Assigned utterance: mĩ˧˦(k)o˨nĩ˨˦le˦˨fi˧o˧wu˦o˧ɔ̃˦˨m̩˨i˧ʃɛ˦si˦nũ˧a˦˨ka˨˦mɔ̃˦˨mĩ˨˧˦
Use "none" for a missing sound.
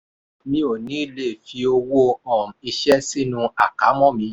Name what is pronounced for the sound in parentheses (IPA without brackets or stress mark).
none